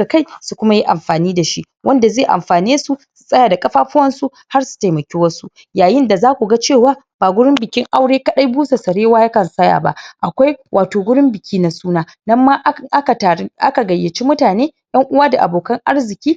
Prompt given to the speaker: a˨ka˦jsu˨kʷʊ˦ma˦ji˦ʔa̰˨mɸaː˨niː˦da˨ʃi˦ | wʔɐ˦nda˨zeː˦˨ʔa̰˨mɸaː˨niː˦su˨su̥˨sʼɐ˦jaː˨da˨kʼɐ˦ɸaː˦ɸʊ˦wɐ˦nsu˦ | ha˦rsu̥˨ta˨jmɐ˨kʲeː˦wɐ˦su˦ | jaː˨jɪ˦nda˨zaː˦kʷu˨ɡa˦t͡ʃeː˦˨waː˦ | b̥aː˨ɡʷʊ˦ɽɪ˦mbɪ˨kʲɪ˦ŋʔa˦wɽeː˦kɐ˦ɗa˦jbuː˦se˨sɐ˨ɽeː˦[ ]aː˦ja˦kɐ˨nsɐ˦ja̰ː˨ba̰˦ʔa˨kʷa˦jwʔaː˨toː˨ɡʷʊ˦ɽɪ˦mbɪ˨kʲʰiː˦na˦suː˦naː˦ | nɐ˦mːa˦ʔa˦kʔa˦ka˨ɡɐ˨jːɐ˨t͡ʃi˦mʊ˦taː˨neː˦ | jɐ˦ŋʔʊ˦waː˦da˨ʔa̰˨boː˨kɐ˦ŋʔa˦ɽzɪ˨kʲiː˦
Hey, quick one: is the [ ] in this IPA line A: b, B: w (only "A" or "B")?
B